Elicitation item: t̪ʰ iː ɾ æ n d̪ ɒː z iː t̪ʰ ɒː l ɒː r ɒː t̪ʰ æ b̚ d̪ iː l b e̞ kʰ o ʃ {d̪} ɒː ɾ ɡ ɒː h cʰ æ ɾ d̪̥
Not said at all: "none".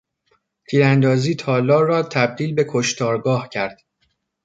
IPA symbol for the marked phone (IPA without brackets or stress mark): t̪